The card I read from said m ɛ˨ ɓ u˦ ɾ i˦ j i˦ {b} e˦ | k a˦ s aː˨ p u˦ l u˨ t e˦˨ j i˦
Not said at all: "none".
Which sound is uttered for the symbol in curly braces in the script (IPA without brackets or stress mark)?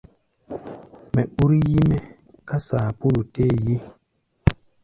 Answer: m